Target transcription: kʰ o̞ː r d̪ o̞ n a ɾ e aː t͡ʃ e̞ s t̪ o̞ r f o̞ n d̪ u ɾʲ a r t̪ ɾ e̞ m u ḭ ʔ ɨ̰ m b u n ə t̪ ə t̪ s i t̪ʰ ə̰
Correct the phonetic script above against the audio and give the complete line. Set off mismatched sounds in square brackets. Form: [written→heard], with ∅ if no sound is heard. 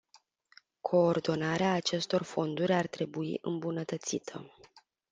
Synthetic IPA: kʰ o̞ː r d̪ o̞ n a ɾ e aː t͡ʃ e̞ s t̪ o̞ r f o̞ n d̪ u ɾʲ a r t̪ ɾ e̞ [m→b] u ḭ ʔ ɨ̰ m b u n ə t̪ ə t̪ s i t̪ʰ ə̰